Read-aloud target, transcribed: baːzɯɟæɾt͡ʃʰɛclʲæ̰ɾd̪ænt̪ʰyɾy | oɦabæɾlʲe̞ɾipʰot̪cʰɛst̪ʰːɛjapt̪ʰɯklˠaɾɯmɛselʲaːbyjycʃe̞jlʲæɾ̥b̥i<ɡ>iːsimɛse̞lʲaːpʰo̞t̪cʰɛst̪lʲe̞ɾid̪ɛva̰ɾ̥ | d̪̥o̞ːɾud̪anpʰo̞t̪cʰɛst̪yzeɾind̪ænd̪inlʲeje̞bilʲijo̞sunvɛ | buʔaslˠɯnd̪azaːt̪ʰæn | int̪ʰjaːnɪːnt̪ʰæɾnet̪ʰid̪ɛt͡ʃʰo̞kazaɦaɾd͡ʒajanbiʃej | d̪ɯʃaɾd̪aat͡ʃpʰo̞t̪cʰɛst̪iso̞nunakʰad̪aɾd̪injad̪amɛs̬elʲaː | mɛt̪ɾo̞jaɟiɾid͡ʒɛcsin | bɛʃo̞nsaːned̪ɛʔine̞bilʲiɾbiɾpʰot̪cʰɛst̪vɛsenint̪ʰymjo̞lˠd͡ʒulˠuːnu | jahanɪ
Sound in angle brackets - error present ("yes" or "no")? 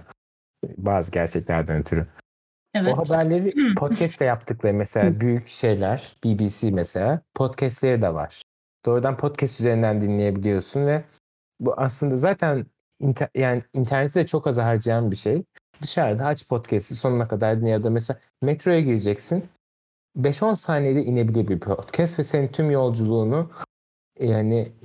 yes